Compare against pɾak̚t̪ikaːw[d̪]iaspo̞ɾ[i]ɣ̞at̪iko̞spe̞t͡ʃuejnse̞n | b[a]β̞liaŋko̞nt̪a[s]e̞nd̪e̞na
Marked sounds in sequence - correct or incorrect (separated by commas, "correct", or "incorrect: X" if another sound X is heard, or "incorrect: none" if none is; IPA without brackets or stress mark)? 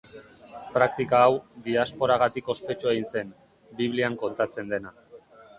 correct, incorrect: a, incorrect: i, incorrect: t͡s